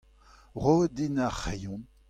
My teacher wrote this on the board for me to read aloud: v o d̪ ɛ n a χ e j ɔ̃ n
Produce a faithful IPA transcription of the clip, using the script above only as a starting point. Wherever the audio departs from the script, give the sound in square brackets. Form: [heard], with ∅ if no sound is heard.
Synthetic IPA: [ʁ] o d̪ [i] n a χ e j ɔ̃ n